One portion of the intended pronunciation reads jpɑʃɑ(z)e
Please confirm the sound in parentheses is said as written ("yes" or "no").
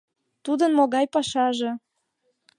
no